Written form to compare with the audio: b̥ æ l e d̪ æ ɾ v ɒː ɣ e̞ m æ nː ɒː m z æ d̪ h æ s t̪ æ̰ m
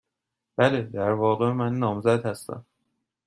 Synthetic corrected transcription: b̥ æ l e d̪ æ ɾ v ɒː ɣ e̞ m æ nː ɒː m z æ d̪ h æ s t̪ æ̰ m